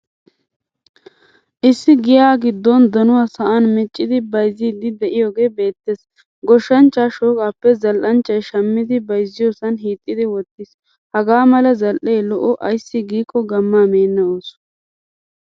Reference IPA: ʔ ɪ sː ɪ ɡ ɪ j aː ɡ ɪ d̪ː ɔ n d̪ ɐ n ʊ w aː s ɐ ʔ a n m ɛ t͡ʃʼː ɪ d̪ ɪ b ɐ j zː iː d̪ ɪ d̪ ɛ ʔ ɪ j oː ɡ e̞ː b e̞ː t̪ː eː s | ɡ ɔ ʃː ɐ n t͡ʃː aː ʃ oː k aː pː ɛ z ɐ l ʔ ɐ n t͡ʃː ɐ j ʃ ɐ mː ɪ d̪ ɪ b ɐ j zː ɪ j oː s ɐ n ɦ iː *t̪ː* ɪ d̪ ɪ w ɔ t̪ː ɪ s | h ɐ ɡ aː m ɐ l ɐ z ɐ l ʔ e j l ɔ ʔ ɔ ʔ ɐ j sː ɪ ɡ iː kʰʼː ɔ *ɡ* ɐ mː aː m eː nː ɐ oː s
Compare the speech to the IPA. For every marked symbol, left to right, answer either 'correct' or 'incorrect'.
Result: incorrect: t̪ʼː, correct

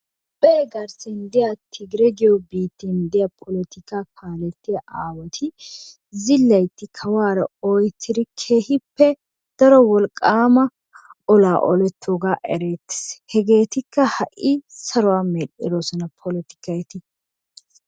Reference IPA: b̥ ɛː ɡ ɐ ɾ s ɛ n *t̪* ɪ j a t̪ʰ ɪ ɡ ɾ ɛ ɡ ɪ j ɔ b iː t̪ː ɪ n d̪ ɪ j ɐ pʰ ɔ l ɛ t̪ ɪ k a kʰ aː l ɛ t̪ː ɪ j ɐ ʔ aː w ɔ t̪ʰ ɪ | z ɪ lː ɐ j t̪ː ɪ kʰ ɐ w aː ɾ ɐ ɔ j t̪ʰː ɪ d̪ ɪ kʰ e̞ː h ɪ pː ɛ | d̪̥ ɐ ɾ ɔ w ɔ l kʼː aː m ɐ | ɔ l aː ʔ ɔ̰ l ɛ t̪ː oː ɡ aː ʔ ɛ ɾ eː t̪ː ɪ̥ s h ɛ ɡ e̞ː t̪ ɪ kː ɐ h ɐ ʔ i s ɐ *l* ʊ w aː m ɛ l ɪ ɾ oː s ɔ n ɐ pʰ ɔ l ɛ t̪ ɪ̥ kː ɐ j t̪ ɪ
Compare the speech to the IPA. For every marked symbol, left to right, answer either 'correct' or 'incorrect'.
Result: incorrect: d̪, incorrect: ɾ

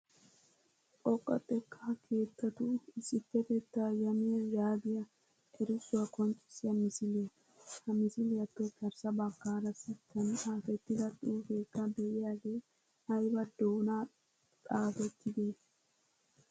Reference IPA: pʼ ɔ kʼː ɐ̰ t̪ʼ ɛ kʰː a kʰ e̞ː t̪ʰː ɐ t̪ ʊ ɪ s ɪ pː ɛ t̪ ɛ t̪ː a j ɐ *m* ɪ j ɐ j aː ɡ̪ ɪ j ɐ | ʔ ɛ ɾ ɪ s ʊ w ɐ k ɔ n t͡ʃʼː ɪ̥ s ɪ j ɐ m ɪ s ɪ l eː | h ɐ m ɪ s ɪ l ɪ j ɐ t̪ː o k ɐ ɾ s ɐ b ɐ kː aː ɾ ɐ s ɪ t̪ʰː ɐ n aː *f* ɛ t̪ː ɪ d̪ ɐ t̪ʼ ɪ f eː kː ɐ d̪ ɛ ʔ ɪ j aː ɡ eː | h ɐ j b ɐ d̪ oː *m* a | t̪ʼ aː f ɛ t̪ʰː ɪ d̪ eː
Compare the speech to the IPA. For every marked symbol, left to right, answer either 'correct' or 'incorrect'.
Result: correct, correct, incorrect: n

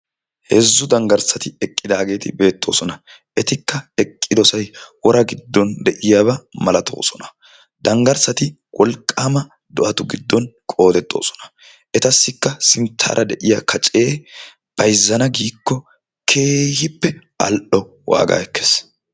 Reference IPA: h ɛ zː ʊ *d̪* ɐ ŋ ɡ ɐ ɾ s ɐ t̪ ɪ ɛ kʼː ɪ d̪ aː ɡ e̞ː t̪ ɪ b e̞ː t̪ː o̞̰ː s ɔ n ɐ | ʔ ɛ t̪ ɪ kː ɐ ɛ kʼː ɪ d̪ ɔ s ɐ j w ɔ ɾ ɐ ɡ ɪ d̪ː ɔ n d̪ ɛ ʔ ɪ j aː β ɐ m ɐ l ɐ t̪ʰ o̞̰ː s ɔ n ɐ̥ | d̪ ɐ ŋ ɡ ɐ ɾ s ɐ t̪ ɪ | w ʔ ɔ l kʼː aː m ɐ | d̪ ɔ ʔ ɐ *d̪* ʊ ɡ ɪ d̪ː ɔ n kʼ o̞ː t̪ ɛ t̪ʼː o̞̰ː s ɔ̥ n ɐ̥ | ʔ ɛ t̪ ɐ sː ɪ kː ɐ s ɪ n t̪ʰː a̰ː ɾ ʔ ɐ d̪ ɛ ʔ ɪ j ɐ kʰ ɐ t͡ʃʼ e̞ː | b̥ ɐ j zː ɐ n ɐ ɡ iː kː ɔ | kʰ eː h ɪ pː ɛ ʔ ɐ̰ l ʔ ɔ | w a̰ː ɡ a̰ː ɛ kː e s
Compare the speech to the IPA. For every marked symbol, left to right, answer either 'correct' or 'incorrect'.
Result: correct, incorrect: t̪

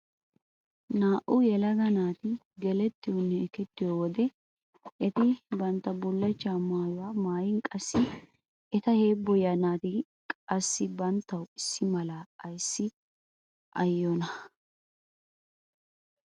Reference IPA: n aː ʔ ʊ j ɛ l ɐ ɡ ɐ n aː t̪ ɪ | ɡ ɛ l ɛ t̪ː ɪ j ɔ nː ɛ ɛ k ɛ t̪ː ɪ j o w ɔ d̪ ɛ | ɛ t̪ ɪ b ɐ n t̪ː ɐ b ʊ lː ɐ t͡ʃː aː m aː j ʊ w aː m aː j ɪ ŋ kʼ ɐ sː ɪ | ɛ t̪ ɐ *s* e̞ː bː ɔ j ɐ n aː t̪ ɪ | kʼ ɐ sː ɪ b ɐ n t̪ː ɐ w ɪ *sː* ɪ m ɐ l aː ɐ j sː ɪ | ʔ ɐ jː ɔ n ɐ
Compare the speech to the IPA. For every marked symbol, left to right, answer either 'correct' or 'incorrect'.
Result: incorrect: h, correct

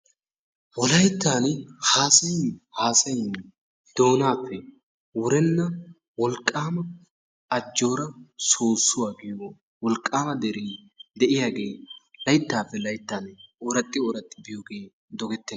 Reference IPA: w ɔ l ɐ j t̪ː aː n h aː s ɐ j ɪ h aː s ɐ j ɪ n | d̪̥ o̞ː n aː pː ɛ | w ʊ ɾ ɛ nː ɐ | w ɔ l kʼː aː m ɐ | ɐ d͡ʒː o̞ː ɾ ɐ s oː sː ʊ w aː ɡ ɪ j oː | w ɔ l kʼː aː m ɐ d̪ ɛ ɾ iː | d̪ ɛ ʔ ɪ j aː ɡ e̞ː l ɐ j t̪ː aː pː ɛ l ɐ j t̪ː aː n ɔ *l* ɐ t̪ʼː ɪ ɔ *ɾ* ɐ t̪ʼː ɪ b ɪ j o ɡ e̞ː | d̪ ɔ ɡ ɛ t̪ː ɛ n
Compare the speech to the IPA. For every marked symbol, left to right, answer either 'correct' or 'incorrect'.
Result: incorrect: ɾ, correct

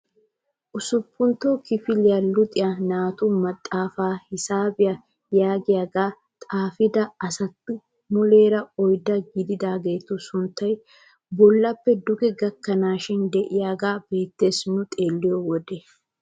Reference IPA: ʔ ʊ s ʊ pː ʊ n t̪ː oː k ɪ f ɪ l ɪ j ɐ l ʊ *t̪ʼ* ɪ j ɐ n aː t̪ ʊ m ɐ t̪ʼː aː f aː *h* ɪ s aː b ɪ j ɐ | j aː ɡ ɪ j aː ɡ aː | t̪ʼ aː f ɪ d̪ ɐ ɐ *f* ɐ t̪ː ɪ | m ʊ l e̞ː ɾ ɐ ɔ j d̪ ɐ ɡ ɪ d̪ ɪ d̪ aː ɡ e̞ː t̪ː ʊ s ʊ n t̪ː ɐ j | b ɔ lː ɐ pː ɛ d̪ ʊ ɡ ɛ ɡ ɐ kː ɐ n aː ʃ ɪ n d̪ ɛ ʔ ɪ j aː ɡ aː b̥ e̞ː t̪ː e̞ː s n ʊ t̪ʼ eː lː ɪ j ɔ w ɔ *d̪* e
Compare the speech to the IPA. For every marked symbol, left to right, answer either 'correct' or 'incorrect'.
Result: correct, correct, incorrect: s, correct

